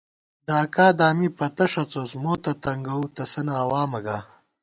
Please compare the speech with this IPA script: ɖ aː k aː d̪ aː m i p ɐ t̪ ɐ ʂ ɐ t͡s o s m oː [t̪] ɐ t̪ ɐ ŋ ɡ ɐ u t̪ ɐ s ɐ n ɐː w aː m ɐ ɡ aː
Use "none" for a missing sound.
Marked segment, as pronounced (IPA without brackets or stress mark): t̪